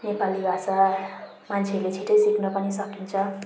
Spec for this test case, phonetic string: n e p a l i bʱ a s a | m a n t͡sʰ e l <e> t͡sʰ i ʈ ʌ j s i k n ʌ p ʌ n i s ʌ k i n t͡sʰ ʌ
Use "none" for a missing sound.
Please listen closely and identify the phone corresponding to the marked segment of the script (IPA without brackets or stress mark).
e